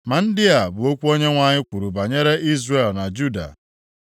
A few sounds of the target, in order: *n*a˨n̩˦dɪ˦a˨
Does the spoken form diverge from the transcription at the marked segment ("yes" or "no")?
yes